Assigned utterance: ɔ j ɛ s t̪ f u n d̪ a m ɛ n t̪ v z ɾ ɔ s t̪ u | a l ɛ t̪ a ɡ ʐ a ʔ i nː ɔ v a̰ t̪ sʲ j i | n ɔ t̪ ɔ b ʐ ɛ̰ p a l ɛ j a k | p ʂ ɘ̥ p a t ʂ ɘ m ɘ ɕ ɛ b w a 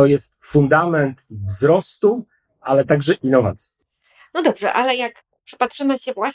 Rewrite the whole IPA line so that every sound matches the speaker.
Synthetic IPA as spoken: ɔ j ɛ s t̪ f u n d̪ a m ɛ n t̪ v z ɾ ɔ s t̪ u | a l ɛ t̪ a ɡ ʐ ɛ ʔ i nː ɔ v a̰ t̪ sʲ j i | n ɔ d̪ ɔ b ʐ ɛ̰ ʔ a l ɛ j a k | p ʂ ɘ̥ p a t ʂ ɘ m ɘ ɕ ɛ v w a